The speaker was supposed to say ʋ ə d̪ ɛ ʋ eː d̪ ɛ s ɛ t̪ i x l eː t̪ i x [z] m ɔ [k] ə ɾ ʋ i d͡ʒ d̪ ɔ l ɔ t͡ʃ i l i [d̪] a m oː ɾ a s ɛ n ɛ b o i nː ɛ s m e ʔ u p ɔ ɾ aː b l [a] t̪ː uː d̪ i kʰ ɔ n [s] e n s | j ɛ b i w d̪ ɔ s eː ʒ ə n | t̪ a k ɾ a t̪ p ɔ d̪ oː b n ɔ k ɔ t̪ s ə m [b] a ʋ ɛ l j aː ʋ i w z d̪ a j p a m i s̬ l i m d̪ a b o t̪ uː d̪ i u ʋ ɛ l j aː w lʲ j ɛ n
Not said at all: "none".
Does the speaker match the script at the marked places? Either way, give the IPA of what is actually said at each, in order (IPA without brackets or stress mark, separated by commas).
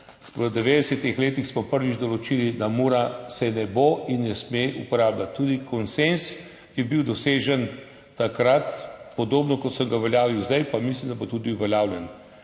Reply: s, p, d̪, a, s, ɡ